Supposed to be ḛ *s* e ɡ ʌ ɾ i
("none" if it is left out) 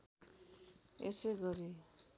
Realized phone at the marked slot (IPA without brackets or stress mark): s